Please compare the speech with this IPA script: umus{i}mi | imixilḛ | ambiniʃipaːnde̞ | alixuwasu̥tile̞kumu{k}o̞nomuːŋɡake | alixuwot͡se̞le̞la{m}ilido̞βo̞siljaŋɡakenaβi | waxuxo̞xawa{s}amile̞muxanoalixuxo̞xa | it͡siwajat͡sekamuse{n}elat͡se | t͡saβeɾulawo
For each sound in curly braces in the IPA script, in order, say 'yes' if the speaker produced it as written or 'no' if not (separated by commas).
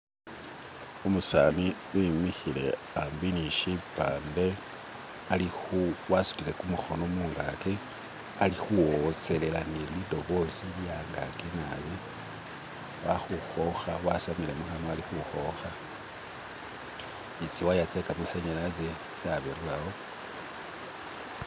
no, no, no, yes, no